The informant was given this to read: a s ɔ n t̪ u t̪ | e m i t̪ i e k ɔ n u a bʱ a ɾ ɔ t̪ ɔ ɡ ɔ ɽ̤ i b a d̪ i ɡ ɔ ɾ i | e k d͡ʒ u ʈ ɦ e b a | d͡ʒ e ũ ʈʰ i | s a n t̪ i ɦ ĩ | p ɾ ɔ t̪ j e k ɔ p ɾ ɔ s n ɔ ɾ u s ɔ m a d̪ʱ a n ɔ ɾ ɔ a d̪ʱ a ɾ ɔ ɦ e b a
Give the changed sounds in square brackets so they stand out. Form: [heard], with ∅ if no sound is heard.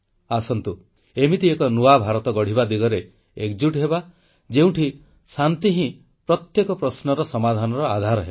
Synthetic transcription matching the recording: a s ɔ n t̪ u [∅] | e m i t̪ i e k ɔ n u a bʱ a ɾ ɔ t̪ ɔ ɡ ɔ ɽ̤ i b a d̪ i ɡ ɔ ɾ [e] | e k d͡ʒ u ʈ ɦ e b a | d͡ʒ e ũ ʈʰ i | s a n t̪ i ɦ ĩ | p ɾ ɔ t̪ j e k ɔ p ɾ ɔ s n ɔ ɾ [ɔ] s ɔ m a d̪ʱ a n ɔ ɾ ɔ a d̪ʱ a ɾ ɔ ɦ e b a